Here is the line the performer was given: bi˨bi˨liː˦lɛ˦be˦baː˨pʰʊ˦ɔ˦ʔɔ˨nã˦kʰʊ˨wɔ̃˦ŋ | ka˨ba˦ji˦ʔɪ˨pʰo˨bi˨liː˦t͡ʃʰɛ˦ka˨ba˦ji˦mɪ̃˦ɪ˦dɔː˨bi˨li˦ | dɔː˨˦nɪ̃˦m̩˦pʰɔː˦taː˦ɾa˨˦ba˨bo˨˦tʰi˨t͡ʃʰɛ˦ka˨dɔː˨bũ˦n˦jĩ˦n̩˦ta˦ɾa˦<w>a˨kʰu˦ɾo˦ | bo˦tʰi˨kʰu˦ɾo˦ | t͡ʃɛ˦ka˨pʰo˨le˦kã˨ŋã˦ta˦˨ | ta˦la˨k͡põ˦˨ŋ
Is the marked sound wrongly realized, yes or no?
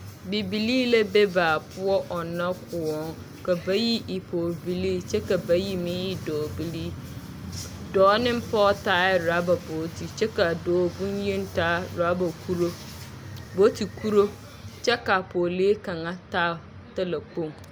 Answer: yes